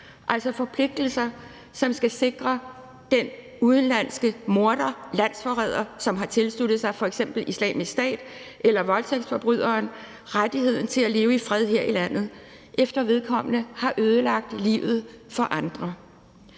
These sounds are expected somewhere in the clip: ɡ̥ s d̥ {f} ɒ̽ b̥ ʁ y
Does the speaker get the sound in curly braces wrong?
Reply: no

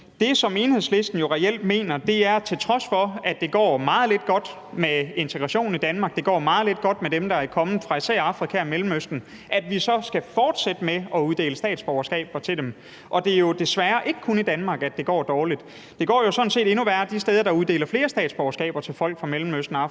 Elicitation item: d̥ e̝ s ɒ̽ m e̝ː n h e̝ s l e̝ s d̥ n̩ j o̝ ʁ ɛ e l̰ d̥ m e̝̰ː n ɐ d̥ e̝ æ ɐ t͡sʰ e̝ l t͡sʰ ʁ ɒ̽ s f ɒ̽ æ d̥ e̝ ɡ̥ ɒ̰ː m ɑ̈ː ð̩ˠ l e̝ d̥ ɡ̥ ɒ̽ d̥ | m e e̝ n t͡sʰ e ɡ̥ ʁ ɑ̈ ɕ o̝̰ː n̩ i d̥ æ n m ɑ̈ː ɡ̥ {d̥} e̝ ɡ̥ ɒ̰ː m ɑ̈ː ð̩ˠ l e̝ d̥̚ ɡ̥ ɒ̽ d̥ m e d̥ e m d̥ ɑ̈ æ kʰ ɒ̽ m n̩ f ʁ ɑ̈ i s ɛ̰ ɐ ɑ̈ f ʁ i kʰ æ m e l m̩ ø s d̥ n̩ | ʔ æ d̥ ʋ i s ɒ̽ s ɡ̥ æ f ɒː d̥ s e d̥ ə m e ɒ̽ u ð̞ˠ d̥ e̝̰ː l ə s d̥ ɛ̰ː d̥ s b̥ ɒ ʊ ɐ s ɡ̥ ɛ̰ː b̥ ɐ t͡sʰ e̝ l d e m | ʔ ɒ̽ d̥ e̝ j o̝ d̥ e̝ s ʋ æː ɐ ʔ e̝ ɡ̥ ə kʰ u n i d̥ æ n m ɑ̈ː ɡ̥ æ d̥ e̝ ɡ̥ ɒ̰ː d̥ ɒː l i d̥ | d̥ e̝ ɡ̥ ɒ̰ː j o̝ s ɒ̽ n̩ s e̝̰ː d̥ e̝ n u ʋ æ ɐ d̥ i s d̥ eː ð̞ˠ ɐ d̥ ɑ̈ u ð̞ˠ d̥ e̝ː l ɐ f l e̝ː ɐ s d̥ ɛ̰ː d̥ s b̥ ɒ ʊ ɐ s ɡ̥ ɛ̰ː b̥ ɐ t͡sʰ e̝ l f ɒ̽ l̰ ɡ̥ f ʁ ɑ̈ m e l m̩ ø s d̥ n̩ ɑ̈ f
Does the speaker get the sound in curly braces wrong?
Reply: no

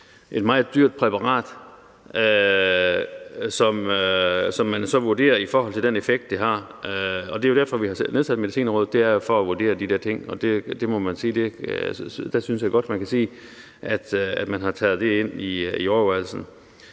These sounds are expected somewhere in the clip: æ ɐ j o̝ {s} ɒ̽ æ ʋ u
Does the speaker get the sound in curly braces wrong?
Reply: yes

